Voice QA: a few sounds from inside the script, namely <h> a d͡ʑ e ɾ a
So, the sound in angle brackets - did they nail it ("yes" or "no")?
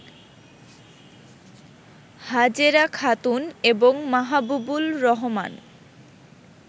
yes